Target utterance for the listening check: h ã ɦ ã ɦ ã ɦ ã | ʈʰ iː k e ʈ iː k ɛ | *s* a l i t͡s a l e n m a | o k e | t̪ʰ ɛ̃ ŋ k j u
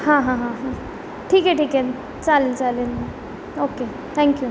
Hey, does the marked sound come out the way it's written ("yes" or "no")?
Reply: no